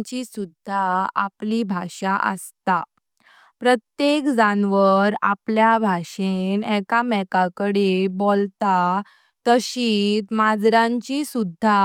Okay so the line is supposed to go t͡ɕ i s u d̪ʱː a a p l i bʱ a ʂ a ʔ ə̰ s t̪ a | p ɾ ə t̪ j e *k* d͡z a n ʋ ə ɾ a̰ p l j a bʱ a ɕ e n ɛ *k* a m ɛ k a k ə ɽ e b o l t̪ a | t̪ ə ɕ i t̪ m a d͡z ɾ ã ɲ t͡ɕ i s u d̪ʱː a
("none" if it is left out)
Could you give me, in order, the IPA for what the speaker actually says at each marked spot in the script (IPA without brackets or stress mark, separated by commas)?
k, k